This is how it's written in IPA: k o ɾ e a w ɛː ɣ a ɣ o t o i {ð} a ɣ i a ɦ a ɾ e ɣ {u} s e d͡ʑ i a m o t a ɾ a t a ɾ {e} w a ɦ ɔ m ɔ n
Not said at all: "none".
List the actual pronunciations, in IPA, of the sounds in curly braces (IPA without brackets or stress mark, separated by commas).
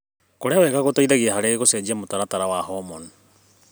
ð, o, a